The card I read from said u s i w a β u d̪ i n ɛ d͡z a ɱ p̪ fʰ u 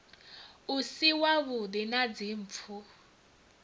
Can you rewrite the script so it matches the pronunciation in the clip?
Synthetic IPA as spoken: u s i w a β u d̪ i n a d͡z i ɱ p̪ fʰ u